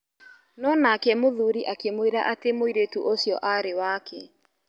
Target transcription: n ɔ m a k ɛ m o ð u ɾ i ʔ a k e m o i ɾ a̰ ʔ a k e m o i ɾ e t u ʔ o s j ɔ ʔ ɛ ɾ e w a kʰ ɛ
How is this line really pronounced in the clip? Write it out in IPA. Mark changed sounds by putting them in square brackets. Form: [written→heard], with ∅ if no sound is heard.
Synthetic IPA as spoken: n ɔ [m→n] a k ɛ m o ð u ɾ i ʔ a k e m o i ɾ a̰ ʔ a [k→t] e m o i ɾ e t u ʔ o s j ɔ ʔ [ɛ→a] ɾ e w a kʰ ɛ